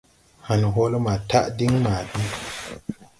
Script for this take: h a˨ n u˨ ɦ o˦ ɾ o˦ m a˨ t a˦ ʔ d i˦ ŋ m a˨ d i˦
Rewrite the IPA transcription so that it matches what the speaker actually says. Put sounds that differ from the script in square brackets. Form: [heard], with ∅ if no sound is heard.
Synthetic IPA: h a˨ n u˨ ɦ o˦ [l] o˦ m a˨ t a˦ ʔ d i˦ ŋ m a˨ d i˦

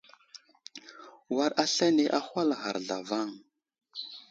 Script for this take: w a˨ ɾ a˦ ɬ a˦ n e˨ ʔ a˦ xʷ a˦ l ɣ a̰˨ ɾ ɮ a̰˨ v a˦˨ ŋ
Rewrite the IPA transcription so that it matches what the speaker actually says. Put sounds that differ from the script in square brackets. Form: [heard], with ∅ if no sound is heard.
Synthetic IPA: w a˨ ɾ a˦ ɬ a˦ n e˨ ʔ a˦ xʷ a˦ l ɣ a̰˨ ɾ ɮ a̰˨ v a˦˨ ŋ

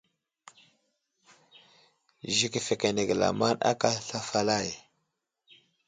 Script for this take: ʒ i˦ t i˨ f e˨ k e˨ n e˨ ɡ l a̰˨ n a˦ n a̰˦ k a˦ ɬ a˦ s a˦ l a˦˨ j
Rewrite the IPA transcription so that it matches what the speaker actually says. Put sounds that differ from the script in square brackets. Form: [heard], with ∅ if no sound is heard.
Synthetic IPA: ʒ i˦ [k] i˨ f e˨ k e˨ n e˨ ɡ l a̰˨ [m] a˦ n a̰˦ k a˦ ɬ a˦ [f] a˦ l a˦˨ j

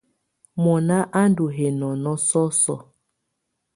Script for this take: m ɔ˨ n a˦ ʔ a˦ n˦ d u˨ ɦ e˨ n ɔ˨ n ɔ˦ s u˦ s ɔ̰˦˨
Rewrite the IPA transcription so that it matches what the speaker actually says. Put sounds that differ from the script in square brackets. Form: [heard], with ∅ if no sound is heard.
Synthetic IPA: m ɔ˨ n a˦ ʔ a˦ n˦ d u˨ ɦ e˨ n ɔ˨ n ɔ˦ s [ɔ˦] s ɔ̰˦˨

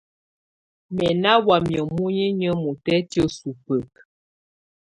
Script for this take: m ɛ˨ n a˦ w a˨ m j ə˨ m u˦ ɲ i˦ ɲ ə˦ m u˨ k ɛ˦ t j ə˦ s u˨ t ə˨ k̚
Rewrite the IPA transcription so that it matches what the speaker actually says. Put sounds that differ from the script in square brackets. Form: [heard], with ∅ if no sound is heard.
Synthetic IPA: m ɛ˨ n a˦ w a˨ m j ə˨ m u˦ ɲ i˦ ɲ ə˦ m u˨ [t] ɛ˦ t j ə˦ s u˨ [p] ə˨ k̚

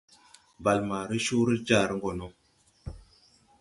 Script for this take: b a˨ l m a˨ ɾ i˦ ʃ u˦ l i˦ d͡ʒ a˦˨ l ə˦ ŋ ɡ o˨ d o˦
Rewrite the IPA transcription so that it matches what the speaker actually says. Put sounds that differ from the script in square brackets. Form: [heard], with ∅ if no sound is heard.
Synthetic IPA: b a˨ l m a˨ ɾ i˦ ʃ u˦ [ɾ] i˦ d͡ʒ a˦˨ [ɾ] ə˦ ŋ ɡ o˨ [n] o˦

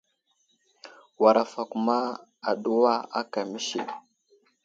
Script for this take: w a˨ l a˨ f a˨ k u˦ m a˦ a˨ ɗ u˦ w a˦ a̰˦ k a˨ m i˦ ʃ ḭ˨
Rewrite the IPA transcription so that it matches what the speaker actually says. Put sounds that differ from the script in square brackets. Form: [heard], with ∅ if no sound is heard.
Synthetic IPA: w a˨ [ɾ] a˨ f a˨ k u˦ m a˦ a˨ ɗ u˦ w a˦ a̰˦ k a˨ m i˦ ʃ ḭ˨

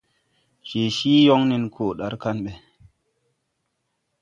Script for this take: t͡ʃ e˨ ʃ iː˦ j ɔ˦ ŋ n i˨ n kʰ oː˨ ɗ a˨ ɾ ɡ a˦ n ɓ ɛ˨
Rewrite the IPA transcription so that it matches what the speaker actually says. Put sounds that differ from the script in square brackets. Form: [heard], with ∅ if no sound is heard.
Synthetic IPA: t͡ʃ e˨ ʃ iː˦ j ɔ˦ ŋ n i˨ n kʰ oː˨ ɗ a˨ ɾ [k] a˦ n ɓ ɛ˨

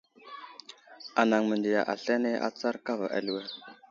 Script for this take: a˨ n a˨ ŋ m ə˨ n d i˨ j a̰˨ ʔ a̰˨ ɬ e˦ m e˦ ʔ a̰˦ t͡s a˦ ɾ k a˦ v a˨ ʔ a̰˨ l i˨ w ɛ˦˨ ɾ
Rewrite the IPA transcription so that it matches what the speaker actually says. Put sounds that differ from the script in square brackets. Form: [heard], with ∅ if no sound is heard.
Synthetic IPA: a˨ n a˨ ŋ m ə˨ n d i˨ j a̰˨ ʔ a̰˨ ɬ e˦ [n] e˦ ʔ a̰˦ t͡s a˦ ɾ k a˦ v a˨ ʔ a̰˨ l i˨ w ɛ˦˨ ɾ

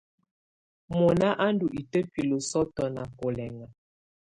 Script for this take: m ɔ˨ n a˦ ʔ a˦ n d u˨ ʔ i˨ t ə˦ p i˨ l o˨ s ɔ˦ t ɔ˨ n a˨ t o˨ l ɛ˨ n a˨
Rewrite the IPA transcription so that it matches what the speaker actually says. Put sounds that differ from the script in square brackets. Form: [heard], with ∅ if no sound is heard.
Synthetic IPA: m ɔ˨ n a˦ ʔ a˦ n d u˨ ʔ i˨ t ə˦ p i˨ l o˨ s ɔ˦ t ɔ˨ n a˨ [k] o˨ l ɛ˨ [ŋ] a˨

